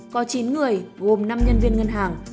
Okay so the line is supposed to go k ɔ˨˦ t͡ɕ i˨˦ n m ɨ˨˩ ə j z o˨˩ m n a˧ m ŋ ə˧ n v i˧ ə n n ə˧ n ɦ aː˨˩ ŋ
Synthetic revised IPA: k ɔ˨˦ t͡ɕ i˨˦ n ŋ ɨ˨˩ ə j ɣ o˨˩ m n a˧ m ɲ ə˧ n v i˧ ə n ŋ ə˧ n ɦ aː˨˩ ŋ